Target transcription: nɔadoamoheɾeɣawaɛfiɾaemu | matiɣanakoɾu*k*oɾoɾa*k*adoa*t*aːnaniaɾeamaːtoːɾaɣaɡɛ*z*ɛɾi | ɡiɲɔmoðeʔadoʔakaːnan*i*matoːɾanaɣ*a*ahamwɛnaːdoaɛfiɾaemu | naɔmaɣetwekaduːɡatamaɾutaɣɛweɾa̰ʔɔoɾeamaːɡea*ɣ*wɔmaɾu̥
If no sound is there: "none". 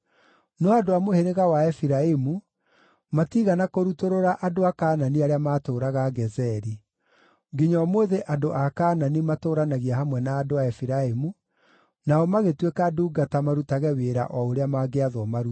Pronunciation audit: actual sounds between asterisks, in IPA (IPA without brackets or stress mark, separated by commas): t, ʔ, k, z, i, i, ð